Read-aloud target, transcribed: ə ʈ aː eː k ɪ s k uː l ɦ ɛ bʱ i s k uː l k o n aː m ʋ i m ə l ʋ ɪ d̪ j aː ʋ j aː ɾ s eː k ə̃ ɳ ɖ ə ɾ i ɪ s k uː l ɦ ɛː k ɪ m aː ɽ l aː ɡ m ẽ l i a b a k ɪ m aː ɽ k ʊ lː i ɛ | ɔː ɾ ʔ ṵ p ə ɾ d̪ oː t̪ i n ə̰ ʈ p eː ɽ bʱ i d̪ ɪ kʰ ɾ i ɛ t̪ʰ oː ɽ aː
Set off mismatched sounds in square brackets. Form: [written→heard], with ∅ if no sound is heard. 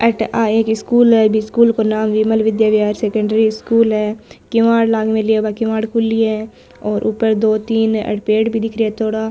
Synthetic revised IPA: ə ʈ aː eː k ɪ s k uː l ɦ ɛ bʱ i s k uː l k o n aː m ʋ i m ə l ʋ ɪ d̪ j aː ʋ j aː ɾ s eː k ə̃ ɳ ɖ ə ɾ i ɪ s k uː l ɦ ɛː k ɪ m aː ɽ l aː ɡ m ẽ l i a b a k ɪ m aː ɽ k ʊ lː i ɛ | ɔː ɾ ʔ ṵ p ə ɾ d̪ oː t̪ [i→iː] n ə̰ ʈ p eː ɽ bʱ i d̪ ɪ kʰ ɾ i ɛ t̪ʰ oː ɽ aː